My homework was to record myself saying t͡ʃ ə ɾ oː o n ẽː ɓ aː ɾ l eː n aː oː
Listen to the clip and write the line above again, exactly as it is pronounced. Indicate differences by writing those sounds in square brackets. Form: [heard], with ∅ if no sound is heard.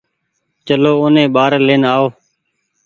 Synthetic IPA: t͡ʃ ə [l] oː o n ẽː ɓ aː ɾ l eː n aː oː